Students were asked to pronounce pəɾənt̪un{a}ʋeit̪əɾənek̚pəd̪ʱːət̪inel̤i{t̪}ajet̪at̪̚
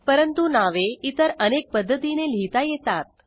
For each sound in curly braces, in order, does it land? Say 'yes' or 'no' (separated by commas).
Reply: yes, yes